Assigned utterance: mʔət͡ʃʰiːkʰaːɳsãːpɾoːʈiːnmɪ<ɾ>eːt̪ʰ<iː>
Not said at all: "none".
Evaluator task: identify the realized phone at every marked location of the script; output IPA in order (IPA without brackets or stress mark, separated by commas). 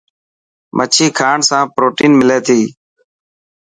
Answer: l, iː